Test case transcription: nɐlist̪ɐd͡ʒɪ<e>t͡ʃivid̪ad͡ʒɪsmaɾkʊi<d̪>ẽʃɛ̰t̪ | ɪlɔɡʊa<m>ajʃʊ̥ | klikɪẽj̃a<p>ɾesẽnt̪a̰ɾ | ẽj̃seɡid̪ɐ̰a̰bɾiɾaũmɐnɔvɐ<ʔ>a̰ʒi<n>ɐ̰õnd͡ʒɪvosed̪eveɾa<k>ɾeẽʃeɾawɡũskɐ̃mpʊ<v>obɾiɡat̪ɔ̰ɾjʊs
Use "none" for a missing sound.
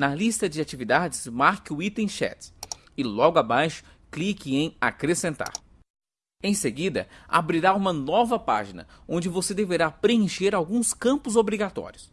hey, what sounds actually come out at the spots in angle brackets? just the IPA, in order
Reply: a, t̪, b, k, p, n, p, z

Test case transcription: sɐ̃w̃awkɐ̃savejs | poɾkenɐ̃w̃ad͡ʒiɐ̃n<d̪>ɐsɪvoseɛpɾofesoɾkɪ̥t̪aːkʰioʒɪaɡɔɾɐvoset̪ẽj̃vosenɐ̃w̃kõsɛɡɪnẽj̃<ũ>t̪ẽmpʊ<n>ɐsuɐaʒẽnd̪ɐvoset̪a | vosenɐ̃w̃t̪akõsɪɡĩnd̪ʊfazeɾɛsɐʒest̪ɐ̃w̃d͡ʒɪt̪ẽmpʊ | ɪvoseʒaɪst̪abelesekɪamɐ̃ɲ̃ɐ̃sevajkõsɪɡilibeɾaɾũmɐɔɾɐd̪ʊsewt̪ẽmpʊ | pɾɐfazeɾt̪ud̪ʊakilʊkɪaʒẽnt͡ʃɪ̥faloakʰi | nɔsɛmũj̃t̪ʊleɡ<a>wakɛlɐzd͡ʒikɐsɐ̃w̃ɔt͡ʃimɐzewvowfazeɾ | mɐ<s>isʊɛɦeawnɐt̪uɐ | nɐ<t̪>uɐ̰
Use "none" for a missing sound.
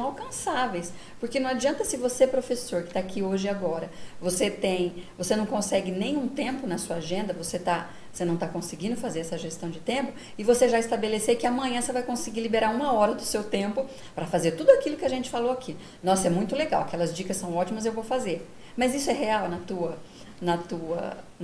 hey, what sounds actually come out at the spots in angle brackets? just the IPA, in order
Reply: t̪, ũ, n, a, z, t̪

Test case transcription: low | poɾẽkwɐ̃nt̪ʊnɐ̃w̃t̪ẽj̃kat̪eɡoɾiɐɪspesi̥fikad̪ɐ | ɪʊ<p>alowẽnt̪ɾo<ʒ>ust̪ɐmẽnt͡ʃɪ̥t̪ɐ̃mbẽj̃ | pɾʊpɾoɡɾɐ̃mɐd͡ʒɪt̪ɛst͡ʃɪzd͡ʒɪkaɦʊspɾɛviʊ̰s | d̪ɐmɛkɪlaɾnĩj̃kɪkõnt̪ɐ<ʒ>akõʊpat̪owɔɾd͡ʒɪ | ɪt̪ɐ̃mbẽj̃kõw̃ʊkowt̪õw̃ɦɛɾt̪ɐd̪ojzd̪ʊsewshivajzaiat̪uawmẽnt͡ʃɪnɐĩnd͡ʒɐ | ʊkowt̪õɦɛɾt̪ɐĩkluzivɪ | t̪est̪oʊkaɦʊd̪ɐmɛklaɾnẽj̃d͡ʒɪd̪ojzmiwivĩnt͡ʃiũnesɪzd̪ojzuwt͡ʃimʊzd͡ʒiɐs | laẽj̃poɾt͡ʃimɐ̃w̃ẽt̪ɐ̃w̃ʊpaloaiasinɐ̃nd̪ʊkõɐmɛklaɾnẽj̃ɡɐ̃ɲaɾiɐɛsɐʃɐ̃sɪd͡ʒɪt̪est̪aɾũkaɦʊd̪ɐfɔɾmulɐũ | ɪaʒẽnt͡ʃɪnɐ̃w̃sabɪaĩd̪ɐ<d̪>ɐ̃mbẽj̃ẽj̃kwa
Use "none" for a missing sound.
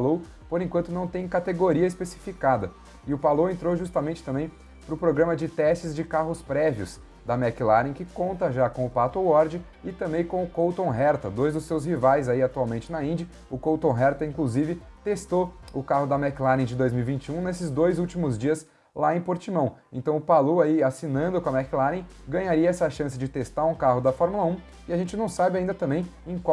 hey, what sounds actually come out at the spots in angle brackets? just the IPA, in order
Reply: p, ʒ, ʒ, t̪

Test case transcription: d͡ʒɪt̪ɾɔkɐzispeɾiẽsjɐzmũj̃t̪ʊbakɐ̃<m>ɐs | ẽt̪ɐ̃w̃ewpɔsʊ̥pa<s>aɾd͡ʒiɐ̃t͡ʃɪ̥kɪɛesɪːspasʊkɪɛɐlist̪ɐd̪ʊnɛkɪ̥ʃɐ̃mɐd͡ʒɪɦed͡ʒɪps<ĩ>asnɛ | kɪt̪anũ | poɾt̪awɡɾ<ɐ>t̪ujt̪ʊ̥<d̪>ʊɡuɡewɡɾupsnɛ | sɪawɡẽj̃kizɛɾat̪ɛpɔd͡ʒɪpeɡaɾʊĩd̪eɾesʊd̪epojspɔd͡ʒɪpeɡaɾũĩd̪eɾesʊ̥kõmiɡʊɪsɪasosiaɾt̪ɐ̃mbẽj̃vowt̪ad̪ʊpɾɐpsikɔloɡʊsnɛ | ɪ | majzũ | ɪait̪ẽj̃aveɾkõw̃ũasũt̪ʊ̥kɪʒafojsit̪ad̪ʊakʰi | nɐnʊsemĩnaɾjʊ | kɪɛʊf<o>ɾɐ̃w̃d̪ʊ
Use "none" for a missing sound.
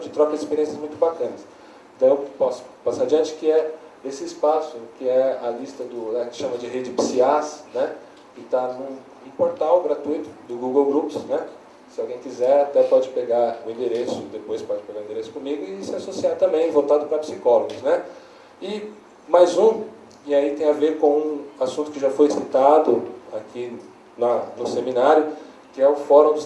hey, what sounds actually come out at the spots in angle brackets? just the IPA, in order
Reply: n, s, i, a, d̪, ɔ

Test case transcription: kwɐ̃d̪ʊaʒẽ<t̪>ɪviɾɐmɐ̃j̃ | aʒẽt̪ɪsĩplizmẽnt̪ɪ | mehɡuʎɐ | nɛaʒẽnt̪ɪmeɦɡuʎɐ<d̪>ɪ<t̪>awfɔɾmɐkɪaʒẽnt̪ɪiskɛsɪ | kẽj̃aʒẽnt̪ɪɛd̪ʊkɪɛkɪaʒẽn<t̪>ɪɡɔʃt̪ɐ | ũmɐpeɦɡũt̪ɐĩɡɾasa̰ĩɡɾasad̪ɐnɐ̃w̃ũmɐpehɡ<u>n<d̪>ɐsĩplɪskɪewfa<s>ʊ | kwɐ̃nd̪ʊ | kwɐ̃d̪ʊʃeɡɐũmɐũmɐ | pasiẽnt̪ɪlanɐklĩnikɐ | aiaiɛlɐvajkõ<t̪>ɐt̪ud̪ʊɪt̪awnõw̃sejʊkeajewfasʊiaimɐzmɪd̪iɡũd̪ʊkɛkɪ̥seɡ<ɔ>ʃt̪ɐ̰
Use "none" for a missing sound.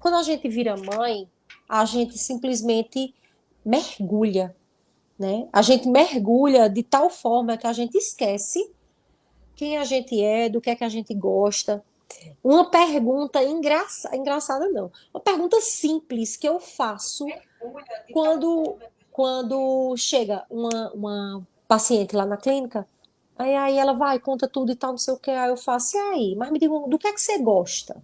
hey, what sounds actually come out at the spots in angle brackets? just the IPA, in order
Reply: t̪, d̪, t̪, t̪, ũ, t̪, s, t̪, ɔ

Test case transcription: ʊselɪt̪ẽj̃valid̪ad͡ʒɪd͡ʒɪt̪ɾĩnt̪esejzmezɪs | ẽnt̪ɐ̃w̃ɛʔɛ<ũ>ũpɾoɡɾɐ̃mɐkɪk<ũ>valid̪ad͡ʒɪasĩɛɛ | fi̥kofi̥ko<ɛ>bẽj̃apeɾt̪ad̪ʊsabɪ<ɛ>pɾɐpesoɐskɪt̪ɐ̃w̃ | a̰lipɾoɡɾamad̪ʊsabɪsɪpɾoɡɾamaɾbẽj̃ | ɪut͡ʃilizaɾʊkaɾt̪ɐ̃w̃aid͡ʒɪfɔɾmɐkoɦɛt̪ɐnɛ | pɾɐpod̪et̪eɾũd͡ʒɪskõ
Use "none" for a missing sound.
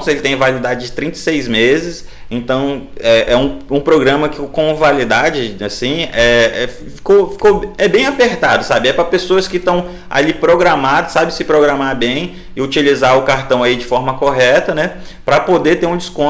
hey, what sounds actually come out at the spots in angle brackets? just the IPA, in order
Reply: ũ, õ, ɛ, ɛ

